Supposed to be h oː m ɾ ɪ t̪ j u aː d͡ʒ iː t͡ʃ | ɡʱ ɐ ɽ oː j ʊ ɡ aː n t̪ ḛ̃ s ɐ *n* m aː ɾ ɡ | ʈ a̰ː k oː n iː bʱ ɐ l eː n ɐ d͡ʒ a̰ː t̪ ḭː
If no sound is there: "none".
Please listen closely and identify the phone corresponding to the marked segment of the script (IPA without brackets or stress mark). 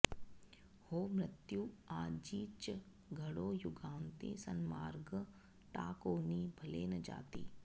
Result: n